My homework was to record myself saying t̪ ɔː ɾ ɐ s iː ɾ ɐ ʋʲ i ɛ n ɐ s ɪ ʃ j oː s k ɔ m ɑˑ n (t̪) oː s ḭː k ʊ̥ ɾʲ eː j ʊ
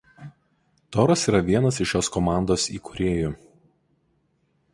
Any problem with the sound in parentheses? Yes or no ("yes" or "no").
yes